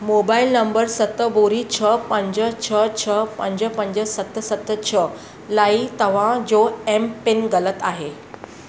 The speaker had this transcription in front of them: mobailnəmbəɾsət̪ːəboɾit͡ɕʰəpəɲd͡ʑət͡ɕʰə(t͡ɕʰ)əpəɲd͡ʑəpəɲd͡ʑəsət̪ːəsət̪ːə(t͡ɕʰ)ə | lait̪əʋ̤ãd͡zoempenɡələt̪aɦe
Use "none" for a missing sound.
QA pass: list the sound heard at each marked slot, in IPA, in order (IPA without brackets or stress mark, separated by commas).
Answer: t͡ɕʰ, t͡ɕʰ